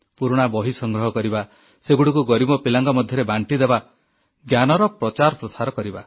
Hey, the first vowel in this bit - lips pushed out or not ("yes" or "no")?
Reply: yes